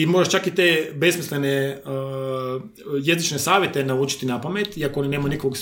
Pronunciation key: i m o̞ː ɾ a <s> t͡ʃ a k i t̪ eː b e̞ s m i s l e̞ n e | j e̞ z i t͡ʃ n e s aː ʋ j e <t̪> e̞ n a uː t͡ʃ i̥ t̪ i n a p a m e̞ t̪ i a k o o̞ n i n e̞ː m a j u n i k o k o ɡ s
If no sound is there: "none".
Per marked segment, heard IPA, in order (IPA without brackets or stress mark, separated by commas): ʃ, t̪